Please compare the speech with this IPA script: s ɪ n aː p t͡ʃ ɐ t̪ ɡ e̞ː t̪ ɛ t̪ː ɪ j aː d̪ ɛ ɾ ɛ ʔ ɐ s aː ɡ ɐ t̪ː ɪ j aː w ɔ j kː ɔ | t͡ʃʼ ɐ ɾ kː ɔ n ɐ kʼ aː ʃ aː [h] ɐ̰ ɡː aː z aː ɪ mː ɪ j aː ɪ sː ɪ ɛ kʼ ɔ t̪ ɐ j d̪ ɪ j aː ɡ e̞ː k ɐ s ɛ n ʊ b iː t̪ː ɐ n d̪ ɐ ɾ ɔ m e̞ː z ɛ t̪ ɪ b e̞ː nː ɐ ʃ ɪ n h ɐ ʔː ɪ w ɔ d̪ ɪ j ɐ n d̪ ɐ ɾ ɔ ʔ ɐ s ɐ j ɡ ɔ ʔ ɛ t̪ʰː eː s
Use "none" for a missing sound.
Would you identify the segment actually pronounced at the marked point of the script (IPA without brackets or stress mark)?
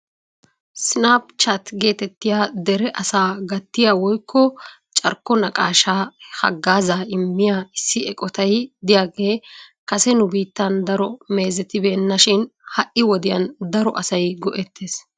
h